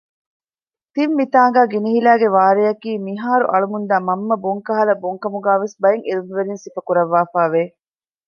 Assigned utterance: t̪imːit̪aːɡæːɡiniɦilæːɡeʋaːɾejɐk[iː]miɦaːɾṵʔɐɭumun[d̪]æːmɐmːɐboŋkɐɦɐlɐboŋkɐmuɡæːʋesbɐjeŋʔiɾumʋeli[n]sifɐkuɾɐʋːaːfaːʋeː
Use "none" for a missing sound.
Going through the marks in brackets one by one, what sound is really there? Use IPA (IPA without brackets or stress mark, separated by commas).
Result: iː, d̪, n